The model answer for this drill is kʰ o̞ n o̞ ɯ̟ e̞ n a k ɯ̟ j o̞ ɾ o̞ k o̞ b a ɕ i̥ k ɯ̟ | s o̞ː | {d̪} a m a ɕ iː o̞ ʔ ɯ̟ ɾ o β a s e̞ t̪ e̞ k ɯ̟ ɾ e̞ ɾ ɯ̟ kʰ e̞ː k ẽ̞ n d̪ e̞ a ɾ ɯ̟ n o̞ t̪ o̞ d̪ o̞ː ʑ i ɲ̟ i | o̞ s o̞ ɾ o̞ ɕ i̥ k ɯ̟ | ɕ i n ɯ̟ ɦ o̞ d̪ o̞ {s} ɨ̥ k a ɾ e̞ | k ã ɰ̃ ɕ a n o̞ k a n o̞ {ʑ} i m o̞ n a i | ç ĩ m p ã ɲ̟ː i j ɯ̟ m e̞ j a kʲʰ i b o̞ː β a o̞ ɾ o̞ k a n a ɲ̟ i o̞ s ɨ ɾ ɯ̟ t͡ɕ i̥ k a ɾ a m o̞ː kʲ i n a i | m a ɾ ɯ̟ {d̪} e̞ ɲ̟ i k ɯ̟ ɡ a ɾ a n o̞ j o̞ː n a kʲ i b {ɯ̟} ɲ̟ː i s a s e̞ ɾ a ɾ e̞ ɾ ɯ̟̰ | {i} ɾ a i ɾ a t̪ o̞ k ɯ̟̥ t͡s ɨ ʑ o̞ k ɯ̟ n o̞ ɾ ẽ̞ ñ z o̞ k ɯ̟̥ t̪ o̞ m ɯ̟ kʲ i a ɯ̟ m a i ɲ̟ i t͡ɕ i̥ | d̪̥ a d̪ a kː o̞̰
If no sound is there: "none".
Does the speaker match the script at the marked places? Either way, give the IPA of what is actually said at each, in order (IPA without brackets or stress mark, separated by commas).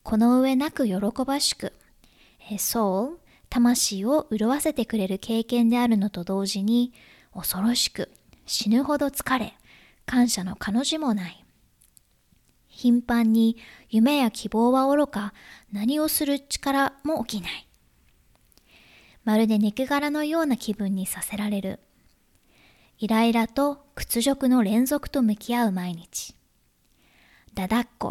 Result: t̪, t͡s, ʑ, d̪, ɯ̟̃, i